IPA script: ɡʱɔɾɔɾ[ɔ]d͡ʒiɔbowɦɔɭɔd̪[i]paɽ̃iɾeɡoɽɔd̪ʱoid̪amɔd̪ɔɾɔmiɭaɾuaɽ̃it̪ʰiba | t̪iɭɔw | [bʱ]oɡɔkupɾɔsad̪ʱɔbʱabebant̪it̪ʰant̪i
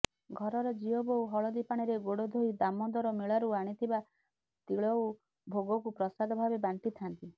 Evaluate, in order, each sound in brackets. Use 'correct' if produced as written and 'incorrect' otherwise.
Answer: correct, correct, correct

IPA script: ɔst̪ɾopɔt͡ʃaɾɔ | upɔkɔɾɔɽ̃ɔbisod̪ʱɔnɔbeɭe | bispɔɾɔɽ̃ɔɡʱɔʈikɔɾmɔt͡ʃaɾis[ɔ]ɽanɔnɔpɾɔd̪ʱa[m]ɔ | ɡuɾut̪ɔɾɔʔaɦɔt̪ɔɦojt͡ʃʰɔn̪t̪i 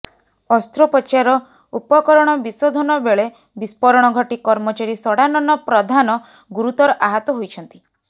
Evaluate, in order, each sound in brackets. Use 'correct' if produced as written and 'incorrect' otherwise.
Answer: correct, incorrect

